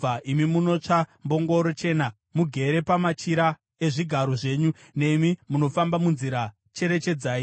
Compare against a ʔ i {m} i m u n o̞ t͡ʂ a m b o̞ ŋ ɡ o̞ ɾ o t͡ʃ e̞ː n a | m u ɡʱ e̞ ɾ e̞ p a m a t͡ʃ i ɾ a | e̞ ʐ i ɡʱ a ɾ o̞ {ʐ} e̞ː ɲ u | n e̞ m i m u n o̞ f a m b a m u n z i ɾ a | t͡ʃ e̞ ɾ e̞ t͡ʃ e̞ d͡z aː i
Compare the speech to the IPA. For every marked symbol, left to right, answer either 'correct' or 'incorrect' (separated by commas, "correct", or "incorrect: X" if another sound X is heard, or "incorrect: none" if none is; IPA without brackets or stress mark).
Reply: correct, correct